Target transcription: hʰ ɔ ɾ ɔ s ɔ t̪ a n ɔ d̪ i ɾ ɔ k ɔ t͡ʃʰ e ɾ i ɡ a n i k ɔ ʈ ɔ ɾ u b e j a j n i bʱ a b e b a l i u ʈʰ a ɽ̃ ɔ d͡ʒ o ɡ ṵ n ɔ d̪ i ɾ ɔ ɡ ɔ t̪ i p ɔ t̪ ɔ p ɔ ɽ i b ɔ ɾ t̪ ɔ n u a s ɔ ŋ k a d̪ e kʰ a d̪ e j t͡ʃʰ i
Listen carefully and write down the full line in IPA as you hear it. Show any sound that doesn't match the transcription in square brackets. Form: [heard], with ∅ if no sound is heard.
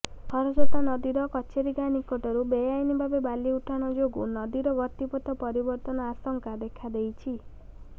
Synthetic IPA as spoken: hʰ ɔ ɾ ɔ s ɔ t̪ a n ɔ d̪ i ɾ ɔ k ɔ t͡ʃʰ e ɾ i ɡ a n i k ɔ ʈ ɔ ɾ u b e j a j n i bʱ a b e b a l i u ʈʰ a ɽ̃ ɔ d͡ʒ o ɡ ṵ n ɔ d̪ i ɾ ɔ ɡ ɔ t̪ i p ɔ t̪ ɔ p ɔ [ɾ] i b ɔ ɾ t̪ ɔ n [ɔ] a s ɔ ŋ k a d̪ e kʰ a d̪ e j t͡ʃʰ i